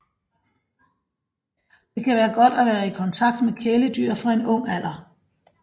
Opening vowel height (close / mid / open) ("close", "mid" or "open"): mid